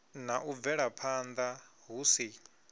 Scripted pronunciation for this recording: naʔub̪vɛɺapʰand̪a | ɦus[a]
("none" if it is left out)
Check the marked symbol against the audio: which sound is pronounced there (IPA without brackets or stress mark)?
i